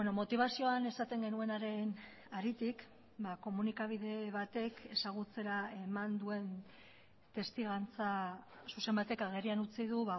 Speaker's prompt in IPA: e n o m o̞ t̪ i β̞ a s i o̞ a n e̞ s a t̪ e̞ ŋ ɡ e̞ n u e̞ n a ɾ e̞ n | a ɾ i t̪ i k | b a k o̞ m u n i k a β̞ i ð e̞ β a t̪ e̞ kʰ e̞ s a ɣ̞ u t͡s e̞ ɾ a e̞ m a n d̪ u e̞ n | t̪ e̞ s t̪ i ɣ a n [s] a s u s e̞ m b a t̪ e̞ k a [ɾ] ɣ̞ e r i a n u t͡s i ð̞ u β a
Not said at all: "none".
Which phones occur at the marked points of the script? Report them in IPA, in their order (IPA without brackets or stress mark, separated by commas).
t͡s, none